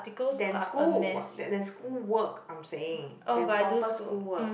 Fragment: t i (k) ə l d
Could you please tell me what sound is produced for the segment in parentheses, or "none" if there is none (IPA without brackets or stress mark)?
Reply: k